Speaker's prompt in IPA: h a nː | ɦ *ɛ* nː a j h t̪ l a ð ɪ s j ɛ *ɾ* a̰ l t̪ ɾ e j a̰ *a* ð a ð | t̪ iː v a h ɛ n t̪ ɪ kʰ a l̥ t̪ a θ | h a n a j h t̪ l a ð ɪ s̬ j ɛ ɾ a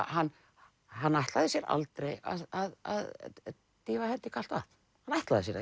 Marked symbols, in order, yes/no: no, yes, yes

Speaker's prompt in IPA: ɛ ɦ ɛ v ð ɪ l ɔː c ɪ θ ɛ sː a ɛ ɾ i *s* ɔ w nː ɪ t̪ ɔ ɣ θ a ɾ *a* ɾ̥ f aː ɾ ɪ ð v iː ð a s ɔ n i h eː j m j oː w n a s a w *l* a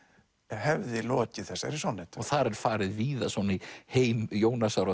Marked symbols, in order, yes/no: yes, no, no

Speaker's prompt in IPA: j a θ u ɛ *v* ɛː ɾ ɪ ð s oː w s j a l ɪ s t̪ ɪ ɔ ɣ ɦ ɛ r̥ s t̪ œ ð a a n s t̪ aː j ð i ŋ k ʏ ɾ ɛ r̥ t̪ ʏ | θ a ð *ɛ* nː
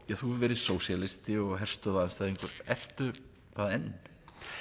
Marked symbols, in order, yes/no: yes, yes

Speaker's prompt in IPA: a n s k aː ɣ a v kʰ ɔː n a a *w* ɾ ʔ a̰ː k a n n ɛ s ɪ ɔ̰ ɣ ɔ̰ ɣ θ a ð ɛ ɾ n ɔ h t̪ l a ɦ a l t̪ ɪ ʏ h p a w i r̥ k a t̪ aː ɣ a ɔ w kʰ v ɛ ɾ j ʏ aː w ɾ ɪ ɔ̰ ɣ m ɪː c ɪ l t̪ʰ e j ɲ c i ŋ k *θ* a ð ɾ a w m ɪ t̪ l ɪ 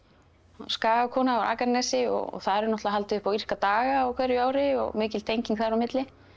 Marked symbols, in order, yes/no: yes, yes

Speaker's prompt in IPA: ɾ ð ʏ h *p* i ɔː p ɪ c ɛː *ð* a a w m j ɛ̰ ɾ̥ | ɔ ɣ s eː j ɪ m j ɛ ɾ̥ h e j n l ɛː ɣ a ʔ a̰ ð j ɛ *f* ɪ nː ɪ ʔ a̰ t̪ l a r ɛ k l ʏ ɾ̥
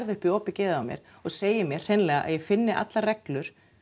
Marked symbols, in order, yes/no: yes, yes, yes

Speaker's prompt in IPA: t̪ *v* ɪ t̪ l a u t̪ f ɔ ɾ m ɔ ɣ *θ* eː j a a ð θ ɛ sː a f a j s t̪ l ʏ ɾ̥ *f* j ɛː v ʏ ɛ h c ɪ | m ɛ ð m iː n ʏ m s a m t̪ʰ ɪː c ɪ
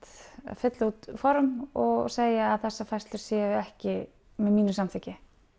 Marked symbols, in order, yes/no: no, no, no

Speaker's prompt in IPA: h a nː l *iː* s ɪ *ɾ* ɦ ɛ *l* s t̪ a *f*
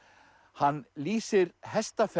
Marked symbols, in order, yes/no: yes, yes, no, yes

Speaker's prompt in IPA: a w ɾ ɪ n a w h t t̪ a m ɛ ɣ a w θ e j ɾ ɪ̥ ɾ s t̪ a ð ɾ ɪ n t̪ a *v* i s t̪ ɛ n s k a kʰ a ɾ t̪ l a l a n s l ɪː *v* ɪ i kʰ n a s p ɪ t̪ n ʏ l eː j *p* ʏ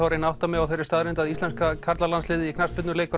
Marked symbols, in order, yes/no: no, no, no

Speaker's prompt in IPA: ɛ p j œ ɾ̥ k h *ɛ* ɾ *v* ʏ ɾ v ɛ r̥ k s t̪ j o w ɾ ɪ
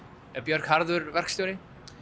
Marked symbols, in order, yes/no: no, no

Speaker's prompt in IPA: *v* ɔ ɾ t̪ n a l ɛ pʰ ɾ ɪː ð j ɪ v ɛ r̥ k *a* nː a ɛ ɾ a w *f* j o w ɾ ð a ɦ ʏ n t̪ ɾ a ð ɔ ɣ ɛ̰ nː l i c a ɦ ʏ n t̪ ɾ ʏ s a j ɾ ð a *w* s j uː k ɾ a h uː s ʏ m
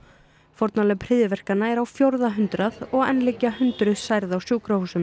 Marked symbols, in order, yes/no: no, yes, yes, yes

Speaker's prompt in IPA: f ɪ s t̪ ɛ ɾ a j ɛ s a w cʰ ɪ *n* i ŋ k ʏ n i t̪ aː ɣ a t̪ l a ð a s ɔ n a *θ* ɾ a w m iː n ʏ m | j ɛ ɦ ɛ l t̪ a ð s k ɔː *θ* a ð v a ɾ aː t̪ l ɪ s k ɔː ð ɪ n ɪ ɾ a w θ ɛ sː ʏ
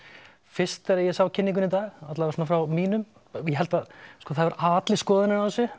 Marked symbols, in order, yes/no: no, no, yes

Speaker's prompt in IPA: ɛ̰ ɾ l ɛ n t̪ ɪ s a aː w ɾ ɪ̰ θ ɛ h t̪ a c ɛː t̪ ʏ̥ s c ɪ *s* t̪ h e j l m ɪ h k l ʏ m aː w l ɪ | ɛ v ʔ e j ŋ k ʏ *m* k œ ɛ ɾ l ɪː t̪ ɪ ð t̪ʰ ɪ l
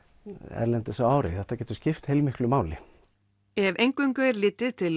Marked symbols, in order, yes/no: no, no

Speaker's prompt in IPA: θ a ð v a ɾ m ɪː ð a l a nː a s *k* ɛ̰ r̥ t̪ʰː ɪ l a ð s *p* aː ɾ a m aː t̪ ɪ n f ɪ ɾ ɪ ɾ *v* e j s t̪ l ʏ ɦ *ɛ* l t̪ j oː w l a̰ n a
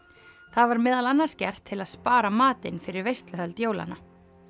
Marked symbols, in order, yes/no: no, yes, yes, no

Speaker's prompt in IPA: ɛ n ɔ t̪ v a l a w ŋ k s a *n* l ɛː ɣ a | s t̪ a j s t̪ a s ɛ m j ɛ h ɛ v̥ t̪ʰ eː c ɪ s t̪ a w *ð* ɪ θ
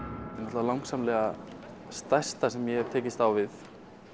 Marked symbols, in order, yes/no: no, no

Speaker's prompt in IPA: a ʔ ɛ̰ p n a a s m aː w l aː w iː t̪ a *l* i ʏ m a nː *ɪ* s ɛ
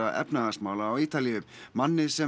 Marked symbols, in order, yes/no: yes, yes

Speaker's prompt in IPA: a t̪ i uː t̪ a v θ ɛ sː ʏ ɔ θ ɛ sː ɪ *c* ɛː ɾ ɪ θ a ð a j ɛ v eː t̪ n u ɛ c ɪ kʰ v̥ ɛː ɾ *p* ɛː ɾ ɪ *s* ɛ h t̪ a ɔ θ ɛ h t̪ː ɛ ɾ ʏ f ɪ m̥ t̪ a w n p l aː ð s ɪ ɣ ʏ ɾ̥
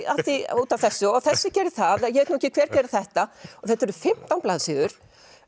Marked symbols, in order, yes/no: yes, no, no

